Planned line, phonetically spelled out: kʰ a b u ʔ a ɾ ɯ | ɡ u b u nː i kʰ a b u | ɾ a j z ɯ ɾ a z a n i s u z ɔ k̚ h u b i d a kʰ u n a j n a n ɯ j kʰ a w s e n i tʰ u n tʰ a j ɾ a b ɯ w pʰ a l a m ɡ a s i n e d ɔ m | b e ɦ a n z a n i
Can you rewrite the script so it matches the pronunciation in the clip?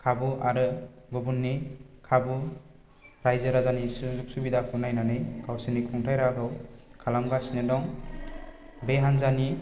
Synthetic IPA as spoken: kʰ a b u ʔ a ɾ ɯ | ɡ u b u nː i kʰ a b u | ɾ a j z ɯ ɾ a z a n i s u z u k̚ s u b i d a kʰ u n a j n a n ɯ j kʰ a w s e n i kʰ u ŋ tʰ a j ɾ a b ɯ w kʰ a l a m ɡ a s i n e d ɔ ŋ | b e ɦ a n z a n i